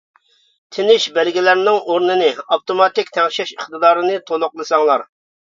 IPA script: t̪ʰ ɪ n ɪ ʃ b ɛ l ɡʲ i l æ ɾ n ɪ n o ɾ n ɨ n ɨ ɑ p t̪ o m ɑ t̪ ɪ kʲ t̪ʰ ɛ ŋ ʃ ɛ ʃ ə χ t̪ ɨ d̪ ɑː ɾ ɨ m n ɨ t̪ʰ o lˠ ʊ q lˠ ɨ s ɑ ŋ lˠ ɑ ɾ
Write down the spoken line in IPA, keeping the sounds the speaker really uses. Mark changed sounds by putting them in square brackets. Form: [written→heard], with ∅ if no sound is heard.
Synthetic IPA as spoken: t̪ʰ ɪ n ɪ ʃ b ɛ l ɡʲ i l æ ɾ n ɪ [n→ŋ] o ɾ n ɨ n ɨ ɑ p t̪ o m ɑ t̪ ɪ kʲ t̪ʰ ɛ ŋ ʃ ɛ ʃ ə χ t̪ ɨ d̪ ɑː ɾ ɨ [m→∅] n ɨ t̪ʰ o lˠ ʊ q lˠ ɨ s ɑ ŋ lˠ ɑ ɾ